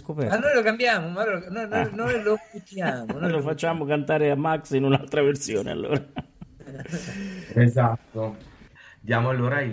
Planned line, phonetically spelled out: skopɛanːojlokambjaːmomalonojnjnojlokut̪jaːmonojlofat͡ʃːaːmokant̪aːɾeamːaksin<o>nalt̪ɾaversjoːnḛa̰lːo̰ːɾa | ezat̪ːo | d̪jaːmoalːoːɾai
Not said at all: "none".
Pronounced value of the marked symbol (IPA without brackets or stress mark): u